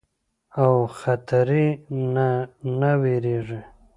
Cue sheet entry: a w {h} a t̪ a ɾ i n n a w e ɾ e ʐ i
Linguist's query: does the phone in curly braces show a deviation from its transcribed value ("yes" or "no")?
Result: yes